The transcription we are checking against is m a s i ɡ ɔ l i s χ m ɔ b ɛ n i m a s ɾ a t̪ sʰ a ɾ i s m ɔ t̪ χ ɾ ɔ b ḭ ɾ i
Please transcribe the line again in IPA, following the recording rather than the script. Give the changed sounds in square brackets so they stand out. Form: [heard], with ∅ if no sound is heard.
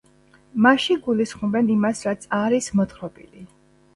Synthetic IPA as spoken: m a [ʃ] i ɡ [u] l i s χ m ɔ b ɛ n i m a s ɾ a t̪ sʰ a ɾ i s m ɔ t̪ χ ɾ ɔ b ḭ [l] i

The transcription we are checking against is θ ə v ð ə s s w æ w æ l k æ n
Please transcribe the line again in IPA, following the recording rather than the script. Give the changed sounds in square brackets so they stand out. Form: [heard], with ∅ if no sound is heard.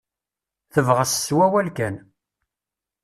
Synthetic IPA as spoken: θ ə v [ʁ] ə s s w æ w æ l k æ n

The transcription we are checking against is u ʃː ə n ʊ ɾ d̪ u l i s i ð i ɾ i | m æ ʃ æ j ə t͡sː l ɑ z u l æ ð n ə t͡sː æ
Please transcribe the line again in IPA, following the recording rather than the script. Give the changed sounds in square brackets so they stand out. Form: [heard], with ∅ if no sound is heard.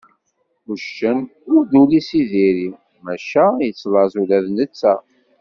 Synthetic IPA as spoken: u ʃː ə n ʊ ɾ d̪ u l i s i ð i ɾ i | m æ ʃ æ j ə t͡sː l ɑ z u l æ ð n ə t͡sː æ

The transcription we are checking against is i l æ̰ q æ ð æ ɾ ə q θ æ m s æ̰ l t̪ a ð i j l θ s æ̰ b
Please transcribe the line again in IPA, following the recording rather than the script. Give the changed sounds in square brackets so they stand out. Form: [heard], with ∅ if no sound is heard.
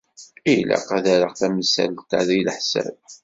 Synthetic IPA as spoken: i l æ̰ q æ ð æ ɾ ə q θ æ m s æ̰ l t̪ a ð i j l [ħ] s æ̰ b

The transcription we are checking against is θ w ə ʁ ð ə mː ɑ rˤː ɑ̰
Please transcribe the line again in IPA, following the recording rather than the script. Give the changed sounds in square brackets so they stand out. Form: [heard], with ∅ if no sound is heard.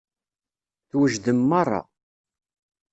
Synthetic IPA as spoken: θ w ə [ʒ] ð ə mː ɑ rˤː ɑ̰

